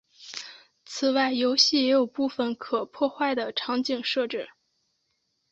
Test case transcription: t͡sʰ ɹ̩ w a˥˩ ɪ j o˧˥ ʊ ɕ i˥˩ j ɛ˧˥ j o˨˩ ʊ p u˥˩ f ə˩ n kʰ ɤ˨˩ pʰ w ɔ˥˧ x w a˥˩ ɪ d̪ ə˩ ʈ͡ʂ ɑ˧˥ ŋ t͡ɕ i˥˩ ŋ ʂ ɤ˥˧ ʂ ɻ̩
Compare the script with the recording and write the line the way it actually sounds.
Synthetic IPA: t͡sʰ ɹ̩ w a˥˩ ɪ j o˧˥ ʊ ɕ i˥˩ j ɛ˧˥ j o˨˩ ʊ p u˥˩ f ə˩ n kʰ ɤ˨˩ pʰ w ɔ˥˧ x w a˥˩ ɪ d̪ ə˩ ʈ͡ʂʰ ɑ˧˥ ŋ t͡ɕ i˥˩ ŋ ʂ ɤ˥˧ ʈ͡ʂ ɻ̩